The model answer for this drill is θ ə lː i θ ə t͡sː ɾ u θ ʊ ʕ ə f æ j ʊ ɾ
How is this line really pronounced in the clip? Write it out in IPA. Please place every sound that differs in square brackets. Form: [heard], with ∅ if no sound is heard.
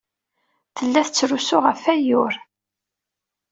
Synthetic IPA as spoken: θ ə lː [æ] θ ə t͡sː ɾ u [s] ʊ [ʁ] ə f æ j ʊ ɾ